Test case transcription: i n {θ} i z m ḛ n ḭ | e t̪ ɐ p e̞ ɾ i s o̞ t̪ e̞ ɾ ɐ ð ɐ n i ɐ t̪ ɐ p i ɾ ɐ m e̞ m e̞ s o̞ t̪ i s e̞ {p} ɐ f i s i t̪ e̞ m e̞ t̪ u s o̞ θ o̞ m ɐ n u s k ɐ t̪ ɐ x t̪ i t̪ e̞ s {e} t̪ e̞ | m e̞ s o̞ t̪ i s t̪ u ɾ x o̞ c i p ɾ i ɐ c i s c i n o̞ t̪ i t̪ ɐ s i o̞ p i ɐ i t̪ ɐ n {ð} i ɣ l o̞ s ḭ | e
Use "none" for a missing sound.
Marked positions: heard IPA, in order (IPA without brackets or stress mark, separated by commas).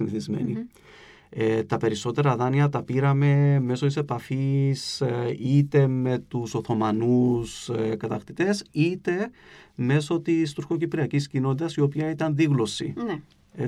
θ, p, i, ð